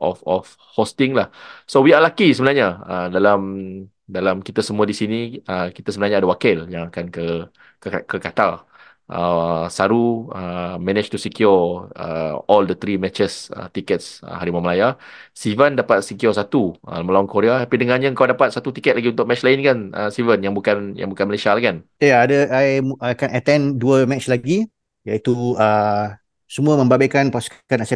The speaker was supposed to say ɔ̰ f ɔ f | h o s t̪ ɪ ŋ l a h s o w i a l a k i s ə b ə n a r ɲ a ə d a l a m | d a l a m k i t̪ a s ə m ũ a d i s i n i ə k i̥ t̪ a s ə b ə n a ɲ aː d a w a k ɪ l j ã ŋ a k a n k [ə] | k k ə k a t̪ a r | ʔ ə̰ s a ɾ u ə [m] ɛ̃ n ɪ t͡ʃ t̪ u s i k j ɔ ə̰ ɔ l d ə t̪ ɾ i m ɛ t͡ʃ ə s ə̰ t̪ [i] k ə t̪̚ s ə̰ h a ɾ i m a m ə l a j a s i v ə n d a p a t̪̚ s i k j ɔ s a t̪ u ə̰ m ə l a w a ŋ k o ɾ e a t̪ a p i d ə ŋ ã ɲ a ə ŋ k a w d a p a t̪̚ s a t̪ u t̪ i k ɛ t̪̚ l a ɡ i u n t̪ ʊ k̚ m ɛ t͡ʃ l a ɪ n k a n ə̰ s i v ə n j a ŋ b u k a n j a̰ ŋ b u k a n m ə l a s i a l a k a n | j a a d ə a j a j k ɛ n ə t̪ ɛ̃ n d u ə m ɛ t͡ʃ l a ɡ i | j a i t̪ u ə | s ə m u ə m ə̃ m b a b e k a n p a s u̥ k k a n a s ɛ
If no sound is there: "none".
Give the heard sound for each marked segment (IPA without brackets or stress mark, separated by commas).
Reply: ə, m, i